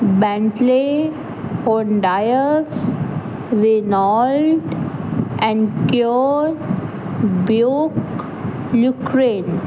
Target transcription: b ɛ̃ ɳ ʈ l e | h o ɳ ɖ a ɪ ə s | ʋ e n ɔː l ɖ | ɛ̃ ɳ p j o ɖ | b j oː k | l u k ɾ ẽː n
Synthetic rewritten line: b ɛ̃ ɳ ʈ l e | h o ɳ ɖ a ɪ ə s | ʋ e n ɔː l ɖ | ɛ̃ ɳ k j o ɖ | b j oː k | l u k ɾ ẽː n